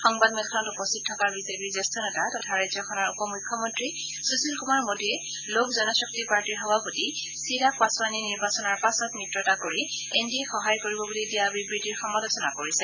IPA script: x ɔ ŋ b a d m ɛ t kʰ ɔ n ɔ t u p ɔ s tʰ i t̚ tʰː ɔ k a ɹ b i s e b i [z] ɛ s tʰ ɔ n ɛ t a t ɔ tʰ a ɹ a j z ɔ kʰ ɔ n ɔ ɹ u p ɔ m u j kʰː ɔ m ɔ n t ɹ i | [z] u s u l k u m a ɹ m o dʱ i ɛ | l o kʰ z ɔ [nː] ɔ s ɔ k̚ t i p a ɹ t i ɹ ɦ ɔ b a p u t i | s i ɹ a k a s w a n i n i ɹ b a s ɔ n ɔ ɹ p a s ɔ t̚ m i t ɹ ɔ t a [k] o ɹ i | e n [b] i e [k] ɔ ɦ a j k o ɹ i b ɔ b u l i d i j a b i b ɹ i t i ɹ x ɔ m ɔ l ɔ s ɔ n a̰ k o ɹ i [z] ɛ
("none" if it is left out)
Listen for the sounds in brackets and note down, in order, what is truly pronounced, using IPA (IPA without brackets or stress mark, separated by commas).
z, s, n, k, d, x, s